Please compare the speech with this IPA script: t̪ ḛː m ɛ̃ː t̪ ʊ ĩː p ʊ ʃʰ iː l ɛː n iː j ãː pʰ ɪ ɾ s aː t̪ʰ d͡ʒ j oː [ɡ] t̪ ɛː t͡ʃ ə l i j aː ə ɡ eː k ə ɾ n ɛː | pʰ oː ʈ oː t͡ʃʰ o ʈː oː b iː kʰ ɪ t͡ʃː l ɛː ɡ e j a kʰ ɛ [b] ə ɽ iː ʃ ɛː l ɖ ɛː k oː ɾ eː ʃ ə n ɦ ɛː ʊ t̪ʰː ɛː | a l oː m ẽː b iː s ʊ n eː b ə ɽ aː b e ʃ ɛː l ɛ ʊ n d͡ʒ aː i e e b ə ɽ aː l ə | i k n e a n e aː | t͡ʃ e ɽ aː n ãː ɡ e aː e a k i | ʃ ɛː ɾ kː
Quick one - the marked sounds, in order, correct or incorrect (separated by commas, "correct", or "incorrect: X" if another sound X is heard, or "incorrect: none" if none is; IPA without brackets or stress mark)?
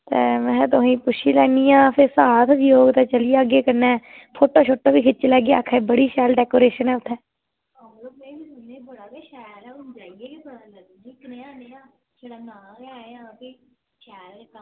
correct, correct